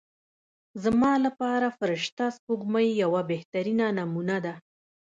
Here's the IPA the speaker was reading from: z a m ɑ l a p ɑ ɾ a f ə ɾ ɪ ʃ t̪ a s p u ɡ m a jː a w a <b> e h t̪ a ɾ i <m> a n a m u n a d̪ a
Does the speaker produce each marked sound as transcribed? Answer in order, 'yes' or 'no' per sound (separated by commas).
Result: yes, no